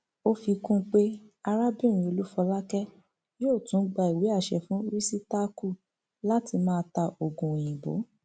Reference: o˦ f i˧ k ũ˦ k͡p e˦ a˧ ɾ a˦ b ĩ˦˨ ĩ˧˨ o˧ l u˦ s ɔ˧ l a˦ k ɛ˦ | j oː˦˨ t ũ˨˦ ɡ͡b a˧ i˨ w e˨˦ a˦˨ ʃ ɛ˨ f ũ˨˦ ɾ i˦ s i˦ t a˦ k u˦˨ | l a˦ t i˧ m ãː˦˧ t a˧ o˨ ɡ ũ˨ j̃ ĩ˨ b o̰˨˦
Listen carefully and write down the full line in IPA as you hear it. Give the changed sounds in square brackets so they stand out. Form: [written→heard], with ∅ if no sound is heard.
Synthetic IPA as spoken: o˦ f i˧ k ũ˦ k͡p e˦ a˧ ɾ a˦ b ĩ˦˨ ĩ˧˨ o˧ l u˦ [s→f] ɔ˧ l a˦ k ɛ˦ | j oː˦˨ t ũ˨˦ ɡ͡b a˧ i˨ w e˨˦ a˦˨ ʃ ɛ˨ f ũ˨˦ ɾ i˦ s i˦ t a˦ k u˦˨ | l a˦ t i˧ m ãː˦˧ t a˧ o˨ ɡ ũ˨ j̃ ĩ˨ b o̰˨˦

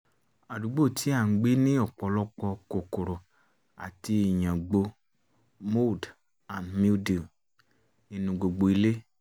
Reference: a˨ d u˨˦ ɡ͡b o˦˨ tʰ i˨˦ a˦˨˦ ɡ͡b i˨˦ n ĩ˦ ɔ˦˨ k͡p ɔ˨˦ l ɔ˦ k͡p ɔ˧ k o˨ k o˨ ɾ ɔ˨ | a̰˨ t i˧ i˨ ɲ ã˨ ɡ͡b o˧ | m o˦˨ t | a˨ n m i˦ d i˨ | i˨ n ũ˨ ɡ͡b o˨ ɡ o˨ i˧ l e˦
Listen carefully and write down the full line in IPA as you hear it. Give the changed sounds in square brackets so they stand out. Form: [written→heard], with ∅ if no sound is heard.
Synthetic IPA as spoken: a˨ d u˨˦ ɡ͡b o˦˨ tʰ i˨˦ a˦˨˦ ɡ͡b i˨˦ n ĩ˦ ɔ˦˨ k͡p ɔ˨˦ l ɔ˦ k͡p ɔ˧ k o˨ k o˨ ɾ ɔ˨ | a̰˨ t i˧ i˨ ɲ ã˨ ɡ͡b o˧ | m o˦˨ [t→d] | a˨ n m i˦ d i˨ | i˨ n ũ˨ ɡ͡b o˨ [ɡ→ɡ͡b] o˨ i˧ l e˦

